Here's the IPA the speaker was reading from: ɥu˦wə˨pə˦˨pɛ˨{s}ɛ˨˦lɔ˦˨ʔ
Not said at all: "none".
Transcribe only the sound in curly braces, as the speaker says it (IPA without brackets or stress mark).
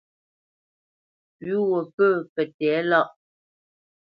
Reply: t